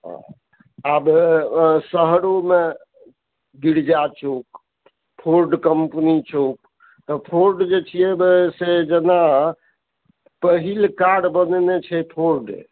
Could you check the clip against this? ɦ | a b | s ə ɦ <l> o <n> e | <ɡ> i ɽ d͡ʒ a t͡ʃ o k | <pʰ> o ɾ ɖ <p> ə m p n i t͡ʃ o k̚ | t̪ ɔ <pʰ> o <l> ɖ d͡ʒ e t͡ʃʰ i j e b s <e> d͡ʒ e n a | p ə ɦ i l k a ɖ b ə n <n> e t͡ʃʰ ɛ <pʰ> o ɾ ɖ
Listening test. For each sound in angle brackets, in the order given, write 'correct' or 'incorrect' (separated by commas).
incorrect, incorrect, correct, correct, incorrect, correct, incorrect, correct, correct, correct